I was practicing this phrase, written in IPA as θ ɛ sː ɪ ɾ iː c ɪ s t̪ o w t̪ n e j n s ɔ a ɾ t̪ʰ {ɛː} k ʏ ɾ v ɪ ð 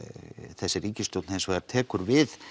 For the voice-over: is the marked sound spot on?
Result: yes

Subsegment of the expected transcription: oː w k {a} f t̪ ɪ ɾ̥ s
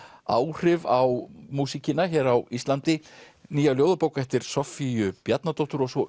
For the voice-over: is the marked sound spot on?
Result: no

